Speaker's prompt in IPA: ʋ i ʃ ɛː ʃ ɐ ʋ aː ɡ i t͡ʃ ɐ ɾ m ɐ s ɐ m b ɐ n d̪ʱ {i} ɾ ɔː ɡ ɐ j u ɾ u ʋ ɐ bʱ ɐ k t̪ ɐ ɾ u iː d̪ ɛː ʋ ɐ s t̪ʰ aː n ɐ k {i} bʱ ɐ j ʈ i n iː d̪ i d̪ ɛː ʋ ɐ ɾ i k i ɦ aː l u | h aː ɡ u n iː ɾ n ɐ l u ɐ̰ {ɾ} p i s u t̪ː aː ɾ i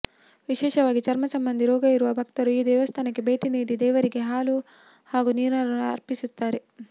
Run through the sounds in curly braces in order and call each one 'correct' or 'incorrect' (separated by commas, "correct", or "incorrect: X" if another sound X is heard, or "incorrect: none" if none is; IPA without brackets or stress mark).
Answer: correct, correct, correct